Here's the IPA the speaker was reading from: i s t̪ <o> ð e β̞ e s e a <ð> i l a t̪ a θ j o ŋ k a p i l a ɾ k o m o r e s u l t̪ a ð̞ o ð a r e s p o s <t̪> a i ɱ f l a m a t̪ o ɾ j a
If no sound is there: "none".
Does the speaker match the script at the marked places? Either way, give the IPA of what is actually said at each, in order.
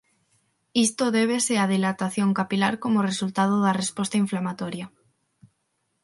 o, ð, t̪

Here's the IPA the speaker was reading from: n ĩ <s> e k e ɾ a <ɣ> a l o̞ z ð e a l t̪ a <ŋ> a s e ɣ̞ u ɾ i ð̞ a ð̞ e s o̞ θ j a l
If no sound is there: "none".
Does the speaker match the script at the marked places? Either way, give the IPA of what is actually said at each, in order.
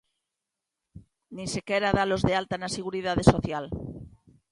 s, ð, n

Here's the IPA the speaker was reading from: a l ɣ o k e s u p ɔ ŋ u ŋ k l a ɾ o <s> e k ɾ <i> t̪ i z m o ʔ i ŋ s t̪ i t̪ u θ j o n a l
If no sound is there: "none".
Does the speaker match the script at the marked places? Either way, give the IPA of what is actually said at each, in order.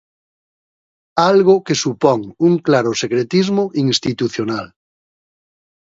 s, e

